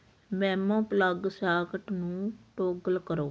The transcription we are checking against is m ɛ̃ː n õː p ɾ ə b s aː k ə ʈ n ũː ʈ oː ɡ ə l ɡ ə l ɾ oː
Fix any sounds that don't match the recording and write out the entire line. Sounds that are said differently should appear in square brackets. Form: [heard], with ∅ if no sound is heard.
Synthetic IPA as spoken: m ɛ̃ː [m] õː p [l] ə [ɡ] s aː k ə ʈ n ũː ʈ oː ɡ ə l [k] ə [∅] ɾ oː

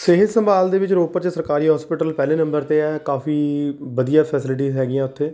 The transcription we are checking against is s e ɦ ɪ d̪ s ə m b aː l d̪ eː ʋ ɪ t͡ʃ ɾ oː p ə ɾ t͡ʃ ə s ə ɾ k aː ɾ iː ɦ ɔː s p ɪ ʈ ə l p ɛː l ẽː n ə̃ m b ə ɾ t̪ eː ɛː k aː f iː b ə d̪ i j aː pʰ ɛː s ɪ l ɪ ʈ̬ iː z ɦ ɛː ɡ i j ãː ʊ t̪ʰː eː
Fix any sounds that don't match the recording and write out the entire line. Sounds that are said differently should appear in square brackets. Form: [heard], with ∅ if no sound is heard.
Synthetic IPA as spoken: s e ɦ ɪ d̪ s ə m b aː l d̪ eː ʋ ɪ t͡ʃ ɾ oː p ə ɾ t͡ʃ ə s ə ɾ k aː ɾ iː ɦ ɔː s p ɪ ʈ ə l p ɛː l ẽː n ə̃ m b ə ɾ t̪ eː ɛː k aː f iː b ə d̪ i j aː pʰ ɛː s ɪ l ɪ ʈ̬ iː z ɦ ɛː ɡ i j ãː ʊ t̪ʰː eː

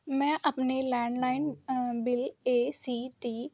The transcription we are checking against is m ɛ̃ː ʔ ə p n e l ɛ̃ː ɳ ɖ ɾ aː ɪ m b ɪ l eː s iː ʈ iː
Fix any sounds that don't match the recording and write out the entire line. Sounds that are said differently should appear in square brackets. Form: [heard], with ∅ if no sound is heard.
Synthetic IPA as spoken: m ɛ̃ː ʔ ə p n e l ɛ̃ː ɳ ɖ [l] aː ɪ [n] b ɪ l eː s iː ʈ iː

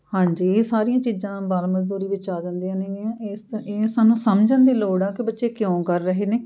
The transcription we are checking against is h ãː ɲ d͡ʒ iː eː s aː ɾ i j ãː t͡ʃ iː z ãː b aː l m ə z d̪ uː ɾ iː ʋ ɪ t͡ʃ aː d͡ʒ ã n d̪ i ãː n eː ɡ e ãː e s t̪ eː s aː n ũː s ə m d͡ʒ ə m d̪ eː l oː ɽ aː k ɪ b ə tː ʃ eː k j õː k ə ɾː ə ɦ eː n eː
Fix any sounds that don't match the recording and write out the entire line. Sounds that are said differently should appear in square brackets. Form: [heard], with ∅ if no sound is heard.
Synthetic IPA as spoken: h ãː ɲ d͡ʒ iː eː s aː ɾ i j ãː t͡ʃ iː z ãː b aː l m ə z d̪ uː ɾ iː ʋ ɪ t͡ʃ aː d͡ʒ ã n d̪ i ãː n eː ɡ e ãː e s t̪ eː s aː n ũː s ə m d͡ʒ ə [n] d̪ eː l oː ɽ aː k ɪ b ə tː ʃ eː k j õː k ə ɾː ə ɦ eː n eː

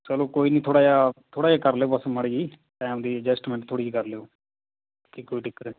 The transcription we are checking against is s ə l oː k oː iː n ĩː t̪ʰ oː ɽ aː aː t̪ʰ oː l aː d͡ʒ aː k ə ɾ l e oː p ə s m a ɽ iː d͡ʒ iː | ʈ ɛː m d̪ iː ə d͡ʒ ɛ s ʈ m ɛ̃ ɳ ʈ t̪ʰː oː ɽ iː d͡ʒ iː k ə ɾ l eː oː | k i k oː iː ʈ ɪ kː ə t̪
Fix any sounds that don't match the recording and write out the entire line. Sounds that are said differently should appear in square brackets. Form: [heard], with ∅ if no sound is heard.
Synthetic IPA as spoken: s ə l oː k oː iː n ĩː t̪ʰ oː ɽ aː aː t̪ʰ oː [ɽ] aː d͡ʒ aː k ə ɾ l e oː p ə s m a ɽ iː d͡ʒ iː | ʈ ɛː m d̪ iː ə d͡ʒ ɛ s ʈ m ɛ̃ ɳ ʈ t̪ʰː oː ɽ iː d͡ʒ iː k ə ɾ l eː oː | k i k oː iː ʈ ɪ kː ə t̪

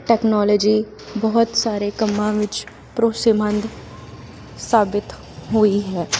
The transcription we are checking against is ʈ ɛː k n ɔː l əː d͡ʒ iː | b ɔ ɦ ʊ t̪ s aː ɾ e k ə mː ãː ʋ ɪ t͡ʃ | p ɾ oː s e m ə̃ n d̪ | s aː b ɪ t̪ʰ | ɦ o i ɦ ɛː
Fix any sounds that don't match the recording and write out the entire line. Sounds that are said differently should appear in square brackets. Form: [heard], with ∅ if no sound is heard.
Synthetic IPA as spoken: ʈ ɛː k n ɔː l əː d͡ʒ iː | b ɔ ɦ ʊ t̪ s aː ɾ e k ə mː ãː ʋ ɪ t͡ʃ | p ɾ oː s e m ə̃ n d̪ | s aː b ɪ [t̪] | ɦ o i ɦ ɛː

